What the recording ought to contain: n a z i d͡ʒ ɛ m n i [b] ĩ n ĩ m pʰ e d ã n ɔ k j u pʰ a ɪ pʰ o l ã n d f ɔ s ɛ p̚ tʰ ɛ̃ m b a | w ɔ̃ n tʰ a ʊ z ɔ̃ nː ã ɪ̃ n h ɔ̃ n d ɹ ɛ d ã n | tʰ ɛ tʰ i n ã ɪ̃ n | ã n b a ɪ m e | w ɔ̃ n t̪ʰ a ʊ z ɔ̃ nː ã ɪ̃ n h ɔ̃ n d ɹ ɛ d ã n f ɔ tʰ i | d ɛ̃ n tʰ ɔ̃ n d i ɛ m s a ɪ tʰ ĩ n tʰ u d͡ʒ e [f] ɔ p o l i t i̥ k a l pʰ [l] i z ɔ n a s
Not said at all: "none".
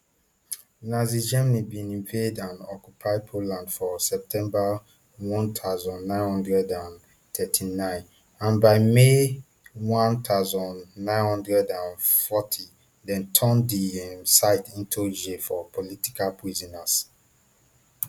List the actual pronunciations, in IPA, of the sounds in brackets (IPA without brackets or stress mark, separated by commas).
b, f, ɹ